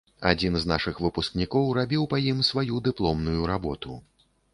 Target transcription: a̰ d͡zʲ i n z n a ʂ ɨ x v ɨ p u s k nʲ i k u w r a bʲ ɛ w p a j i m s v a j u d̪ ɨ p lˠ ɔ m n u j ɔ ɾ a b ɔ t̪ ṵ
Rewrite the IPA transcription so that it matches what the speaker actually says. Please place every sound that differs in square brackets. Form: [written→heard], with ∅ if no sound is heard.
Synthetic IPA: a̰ d͡zʲ i n z n a ʂ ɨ x v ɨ p u s k nʲ i k [u→ɔ] w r a bʲ [ɛ→i] w p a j i m s v a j u d̪ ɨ p lˠ ɔ m n u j [ɔ→u] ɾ a b ɔ t̪ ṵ